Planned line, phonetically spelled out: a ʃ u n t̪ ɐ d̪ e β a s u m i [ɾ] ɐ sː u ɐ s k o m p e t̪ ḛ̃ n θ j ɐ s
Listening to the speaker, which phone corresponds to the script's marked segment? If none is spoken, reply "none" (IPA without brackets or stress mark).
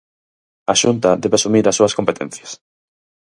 ɾ